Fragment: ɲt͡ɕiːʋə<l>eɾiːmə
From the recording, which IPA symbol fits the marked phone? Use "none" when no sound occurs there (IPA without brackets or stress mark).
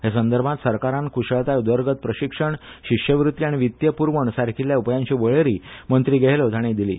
ɭ